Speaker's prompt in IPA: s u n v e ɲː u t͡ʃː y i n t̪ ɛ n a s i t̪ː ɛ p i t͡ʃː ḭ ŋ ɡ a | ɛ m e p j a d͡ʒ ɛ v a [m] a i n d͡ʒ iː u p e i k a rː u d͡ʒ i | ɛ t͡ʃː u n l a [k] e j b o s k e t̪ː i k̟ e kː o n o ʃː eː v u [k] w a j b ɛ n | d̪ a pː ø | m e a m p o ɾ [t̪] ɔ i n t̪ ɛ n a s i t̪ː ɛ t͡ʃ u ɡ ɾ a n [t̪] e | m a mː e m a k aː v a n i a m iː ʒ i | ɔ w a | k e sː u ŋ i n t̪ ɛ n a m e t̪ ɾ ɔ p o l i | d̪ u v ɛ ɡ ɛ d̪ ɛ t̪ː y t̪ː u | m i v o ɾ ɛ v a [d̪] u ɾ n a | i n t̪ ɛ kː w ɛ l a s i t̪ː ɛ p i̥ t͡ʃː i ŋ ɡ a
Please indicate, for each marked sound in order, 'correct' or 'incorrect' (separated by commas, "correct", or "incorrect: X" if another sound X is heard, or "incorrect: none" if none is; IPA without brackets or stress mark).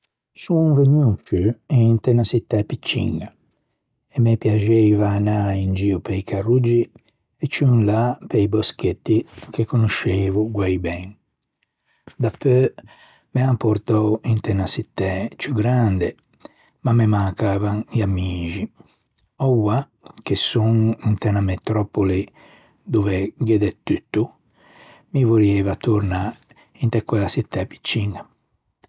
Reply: incorrect: n, incorrect: p, incorrect: ɡ, correct, incorrect: d̪, incorrect: t̪